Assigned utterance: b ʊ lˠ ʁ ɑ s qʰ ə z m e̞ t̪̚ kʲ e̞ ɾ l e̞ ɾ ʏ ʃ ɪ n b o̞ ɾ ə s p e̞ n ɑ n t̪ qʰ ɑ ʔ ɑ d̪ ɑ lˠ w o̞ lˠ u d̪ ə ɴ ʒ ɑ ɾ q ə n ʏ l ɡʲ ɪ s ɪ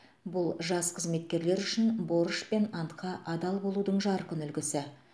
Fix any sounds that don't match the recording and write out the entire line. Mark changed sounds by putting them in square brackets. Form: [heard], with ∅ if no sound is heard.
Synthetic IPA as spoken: b ʊ lˠ [ʒ] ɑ s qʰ ə z m e̞ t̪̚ kʲ e̞ ɾ l e̞ ɾ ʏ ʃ ɪ n b o̞ ɾ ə [ʃ] p e̞ n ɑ n t̪ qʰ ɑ ʔ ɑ d̪ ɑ lˠ [b] o̞ lˠ u d̪ ə ɴ ʒ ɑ ɾ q ə n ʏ l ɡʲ ɪ s ɪ